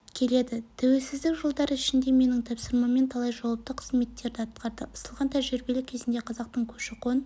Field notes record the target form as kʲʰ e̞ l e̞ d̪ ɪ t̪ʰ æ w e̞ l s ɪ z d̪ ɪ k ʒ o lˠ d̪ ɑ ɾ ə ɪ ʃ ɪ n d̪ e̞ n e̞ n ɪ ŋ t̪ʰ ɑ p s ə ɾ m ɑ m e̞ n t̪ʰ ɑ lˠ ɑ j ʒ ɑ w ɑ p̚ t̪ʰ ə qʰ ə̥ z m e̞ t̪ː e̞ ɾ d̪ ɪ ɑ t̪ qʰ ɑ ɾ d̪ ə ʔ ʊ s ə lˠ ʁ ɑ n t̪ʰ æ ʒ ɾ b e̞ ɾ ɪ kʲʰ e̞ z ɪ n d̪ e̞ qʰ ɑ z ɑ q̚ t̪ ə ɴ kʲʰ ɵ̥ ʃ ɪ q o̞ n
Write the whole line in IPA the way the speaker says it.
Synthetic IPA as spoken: kʲʰ e̞ l e̞ d̪ ɪ t̪ʰ æ w e̞ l s ɪ z d̪ ɪ k ʒ o lˠ d̪ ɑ ɾ ə ɪ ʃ ɪ n d̪ e̞ m e̞ n ɪ ŋ t̪ʰ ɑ p s ə ɾ m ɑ m e̞ n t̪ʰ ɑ lˠ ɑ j ʒ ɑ w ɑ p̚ t̪ ə qʰ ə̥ z m e̞ t̪ː e̞ ɾ d̪ ɪ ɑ t̪ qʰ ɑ ɾ d̪ ə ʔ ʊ s ə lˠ ʁ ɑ n t̪ʰ æ ʒ ɾ b e̞ l ɪ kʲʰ e̞ z ɪ n d̪ e̞ qʰ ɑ z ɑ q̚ t̪ ə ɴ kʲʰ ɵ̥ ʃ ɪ q o̞ n